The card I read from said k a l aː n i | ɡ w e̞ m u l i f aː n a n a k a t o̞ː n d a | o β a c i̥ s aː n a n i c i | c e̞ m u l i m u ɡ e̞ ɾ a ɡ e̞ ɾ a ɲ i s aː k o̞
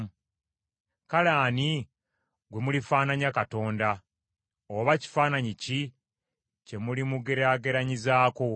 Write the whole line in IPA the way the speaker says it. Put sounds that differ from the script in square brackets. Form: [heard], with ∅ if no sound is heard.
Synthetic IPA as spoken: k a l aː n i | ɡ w e̞ m u l i f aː n a [ɲ] a k a t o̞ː n d a | o β a c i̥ [f] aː n a [ɲ] i c i | c e̞ m u l i m u ɡ e̞ ɾ a ɡ e̞ ɾ a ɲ i [z] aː k o̞

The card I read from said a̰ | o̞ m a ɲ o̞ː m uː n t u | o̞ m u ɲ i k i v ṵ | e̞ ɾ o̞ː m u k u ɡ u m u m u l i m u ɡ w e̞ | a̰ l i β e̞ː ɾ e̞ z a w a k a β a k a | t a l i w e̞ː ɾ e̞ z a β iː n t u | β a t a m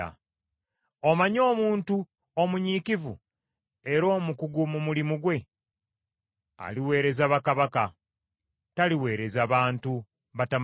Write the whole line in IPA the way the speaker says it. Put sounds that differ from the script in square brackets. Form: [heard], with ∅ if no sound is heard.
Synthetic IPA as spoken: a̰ | o̞ m a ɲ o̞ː m uː n t u | o̞ m u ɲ i k i v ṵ | e̞ ɾ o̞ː m u k u ɡ u m u m u l i m u ɡ w e̞ | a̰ l i [w] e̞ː ɾ e̞ z a [β] a k a β a k a | t a l i w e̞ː ɾ e̞ z a β [aː] n t u | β a t a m

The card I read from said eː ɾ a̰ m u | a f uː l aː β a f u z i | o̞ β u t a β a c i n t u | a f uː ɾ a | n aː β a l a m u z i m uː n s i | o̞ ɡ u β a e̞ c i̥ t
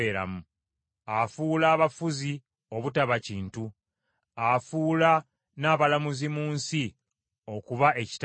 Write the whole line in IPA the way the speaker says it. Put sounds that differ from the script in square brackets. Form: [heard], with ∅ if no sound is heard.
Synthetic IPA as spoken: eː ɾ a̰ m u | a f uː l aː β a f u z i | o̞ β u t a β a c [iː] n t u | a f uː [l] a | n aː β a l a m u z i m uː n s i | o̞ [k] u β a e̞ c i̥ t

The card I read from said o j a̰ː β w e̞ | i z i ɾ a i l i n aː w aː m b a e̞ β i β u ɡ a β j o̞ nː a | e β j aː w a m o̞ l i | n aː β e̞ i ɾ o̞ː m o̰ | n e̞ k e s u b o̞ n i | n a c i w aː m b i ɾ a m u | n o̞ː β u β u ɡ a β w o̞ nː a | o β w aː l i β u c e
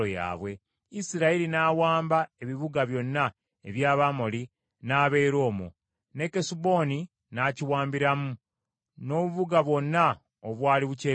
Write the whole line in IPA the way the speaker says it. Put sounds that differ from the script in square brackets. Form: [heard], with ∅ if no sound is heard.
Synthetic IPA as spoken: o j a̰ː β w e̞ | i [s] i ɾ a i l i n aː w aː m b a e̞ β i β u ɡ a β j o̞ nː a | e β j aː [β] a m o̞ l i | n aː β e̞ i ɾ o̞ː m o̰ | n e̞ k e s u b o̞ n i | n a c i w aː m b i ɾ a m u | n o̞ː β u β u ɡ a β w o̞ nː a | o β w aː l i β u c e

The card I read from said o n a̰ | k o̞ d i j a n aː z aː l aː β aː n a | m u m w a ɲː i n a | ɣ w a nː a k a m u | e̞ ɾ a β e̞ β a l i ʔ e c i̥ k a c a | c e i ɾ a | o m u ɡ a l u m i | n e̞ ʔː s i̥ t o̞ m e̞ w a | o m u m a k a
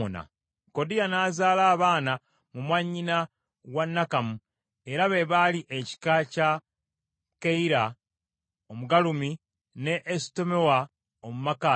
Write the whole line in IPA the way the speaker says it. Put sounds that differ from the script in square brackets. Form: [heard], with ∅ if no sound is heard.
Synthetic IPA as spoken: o n a̰ | k o̞ d i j a n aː z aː l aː β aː n a | m u m w a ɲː i n a | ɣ w a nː a k a m u | e̞ ɾ a β e̞ β a l i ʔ e c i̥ k a c a | [k] e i ɾ a | o m u ɡ a l u m i | n e̞ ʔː s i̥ t o̞ m e̞ w a | o m u m a k a

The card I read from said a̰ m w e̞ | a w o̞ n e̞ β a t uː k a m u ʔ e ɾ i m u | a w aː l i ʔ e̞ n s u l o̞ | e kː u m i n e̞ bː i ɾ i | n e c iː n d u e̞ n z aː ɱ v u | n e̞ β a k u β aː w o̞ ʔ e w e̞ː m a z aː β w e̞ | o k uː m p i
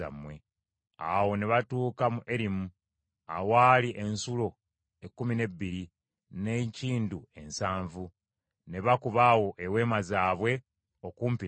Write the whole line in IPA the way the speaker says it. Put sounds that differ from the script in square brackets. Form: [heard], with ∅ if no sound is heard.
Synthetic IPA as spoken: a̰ m w e̞ | a w o̞ n e̞ β a t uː k a m u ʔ e ɾ i m u | a w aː l i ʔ e̞ n s u l o̞ | e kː u m i n e̞ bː i ɾ i | n e c iː n d u e̞ n [s] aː ɱ v u | n e̞ β a k u β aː w o̞ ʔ e w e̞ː m a z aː β w e̞ | o k uː m p i

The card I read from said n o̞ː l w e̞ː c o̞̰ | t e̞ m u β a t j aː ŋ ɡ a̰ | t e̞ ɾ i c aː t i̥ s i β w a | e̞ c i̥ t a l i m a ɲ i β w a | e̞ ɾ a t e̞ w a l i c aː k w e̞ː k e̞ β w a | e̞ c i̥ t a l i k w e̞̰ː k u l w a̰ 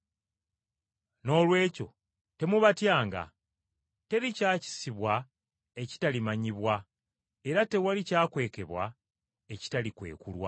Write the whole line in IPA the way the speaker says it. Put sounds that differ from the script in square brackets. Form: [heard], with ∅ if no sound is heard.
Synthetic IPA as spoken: n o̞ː l w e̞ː c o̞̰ | t e̞ m u β a t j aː ŋ ɡ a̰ | t e̞ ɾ i c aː [c] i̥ s i β w a | e̞ c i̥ t a l i m a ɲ i β w a | e̞ ɾ a t e̞ w a l i c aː k w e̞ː k e̞ β w a | e̞ c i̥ t a l i k w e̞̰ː k u l w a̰

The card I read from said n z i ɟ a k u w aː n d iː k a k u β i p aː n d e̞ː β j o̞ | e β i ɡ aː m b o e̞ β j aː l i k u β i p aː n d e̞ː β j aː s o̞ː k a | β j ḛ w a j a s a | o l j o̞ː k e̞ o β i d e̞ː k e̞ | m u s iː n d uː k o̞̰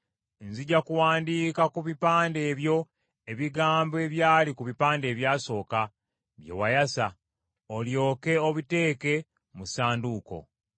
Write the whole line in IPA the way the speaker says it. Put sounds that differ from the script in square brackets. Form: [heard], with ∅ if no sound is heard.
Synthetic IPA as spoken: n z i ɟ a k u w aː n d iː k a k u β i p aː n d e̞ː β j o̞ | e β i ɡ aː m b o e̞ β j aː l i k u β i p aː n d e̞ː β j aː s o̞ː k a | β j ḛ w a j a s a | o l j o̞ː k e̞ o β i [t] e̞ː k e̞ | m u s [aː] n d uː k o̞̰

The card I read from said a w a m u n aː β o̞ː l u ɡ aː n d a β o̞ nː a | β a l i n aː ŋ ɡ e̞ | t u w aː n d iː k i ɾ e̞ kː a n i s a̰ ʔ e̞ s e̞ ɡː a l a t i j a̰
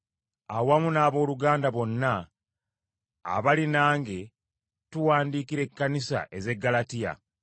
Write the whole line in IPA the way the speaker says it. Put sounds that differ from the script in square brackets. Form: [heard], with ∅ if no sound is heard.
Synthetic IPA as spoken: a w a m u n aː β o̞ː l u ɡ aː n d a β o̞ nː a | β a l i n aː ŋ ɡ e̞ | t u w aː n d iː k i ɾ e̞ kː a n i s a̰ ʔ e̞ [z] e̞ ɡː a l a t i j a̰

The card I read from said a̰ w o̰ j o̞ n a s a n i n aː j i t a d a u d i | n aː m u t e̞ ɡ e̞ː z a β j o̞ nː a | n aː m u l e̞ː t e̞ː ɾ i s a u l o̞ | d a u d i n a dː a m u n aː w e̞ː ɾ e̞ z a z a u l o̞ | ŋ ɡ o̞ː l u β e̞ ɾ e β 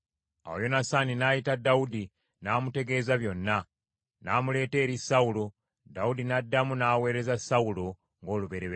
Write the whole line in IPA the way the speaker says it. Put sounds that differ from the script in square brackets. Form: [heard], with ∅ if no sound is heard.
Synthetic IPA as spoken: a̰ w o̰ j o̞ n a s a n i n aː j i t a d a u d i | n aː m u t e̞ ɡ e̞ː z a β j o̞ nː a | n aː m u l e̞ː t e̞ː ɾ i s a u l o̞ | d a u d i n a dː a m u n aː w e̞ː ɾ e̞ z a [s] a u l o̞ | ŋ ɡ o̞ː l u β e̞ ɾ e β

